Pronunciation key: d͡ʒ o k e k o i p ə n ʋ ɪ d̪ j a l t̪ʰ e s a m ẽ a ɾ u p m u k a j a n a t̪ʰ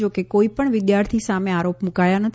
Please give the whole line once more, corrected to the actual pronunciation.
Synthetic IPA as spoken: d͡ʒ o k e k o i p ə ɳ ʋ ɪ d̪ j a ɾ t̪ʰ i s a m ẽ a ɾ o p m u k a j a n ə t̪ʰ